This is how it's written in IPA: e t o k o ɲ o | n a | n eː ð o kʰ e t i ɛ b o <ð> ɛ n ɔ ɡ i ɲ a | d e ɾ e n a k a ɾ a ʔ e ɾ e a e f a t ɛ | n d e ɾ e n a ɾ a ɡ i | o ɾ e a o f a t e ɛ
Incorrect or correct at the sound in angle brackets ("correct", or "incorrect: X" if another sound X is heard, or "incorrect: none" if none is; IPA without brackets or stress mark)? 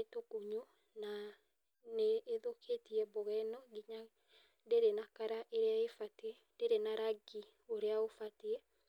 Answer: incorrect: ɣ